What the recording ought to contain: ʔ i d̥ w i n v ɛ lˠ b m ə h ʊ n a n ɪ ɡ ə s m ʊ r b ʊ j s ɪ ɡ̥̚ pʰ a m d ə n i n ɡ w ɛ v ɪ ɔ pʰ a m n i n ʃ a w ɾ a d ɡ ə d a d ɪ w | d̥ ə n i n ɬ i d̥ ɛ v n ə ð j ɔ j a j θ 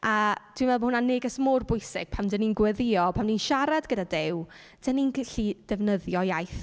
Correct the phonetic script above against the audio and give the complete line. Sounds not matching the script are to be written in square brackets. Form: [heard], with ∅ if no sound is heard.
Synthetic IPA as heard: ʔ [a] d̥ w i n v ɛ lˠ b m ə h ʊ n a n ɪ ɡ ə s m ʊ r b ʊ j s ɪ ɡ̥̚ pʰ a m d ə n i n ɡ w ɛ [ð] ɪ ɔ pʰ a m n i n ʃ a [∅] ɾ a d ɡ ə d a d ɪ w | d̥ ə n i n ɬ i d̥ ɛ v n ə ð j ɔ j a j θ